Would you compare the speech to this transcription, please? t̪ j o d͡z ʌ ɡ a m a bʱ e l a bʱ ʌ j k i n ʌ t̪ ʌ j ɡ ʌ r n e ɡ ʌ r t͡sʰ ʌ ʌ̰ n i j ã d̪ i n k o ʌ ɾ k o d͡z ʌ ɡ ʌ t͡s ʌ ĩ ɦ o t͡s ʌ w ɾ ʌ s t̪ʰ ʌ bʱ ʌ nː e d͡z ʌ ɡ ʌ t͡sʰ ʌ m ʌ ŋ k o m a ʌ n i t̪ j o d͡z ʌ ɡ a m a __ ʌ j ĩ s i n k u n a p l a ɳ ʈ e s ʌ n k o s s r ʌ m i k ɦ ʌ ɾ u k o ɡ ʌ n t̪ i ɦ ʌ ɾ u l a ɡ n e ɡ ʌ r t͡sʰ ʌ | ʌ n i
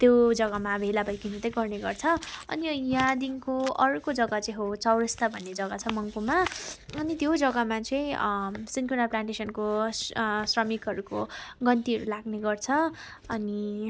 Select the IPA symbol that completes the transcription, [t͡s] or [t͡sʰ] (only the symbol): t͡s